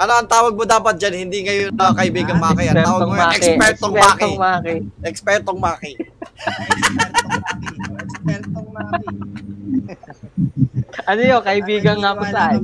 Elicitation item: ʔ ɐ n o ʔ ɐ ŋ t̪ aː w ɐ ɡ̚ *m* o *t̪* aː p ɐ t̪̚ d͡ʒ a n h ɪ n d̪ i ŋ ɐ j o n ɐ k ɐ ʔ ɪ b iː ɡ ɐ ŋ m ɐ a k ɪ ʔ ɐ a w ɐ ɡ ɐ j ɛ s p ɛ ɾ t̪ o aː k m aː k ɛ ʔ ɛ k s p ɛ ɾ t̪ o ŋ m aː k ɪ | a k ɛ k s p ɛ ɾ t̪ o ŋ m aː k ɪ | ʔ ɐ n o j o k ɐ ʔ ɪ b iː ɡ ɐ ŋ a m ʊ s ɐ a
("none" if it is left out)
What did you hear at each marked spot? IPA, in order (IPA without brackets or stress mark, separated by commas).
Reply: m, d̪